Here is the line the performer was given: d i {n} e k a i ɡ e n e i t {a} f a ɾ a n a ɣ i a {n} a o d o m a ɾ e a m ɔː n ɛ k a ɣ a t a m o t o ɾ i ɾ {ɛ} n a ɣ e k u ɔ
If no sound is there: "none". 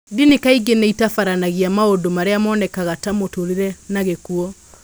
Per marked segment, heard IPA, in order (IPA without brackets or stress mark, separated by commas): n, a, m, ɛ